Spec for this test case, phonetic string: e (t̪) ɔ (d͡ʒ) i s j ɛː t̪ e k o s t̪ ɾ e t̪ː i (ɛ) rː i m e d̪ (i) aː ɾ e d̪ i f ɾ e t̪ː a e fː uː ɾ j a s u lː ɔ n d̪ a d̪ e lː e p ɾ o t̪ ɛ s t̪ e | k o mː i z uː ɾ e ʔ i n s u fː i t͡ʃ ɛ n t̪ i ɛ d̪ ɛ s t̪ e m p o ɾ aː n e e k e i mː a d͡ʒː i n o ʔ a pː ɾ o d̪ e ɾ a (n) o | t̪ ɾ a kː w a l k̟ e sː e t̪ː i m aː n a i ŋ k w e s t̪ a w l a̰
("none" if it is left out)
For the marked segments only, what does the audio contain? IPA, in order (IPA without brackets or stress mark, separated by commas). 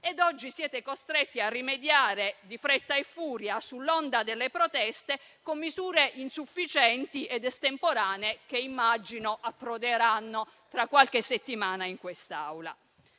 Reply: d̪, d͡ʒː, a, j, nː